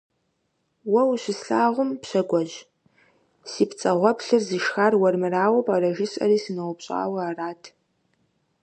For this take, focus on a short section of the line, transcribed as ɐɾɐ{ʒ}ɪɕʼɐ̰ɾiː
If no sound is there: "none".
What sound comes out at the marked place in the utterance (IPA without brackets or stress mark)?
ʒ